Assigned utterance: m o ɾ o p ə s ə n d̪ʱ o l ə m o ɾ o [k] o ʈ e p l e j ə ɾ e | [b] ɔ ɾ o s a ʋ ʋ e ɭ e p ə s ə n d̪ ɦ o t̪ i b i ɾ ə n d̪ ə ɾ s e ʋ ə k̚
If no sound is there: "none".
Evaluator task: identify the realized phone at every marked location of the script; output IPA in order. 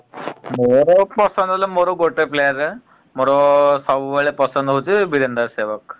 ɡ, m

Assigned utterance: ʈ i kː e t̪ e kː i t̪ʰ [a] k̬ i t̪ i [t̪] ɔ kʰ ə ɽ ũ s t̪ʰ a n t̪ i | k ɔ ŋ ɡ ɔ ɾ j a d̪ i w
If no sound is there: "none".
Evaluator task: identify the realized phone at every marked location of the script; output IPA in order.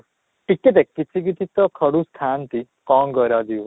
i, t̪

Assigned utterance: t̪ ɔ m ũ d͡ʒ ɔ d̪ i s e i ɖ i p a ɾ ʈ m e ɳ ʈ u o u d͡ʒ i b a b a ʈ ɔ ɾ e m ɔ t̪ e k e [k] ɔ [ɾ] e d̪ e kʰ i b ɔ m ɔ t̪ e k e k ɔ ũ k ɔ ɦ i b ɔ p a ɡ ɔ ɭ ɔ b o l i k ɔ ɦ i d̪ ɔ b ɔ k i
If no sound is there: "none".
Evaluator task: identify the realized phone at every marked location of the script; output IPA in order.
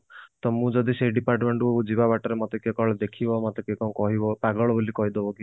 k, ɭ

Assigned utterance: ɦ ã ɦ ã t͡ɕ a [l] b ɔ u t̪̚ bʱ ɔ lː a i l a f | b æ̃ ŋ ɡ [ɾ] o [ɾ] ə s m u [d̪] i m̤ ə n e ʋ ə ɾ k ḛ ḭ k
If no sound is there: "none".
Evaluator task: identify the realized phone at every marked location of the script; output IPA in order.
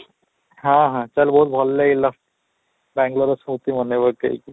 l, l, ɾ, t̪

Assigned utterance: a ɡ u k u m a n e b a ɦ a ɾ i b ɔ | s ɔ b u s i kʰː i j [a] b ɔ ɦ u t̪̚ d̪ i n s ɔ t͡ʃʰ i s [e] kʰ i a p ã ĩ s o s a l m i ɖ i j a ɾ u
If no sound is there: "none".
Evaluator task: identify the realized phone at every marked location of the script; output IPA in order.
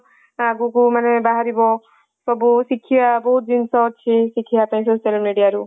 a, i

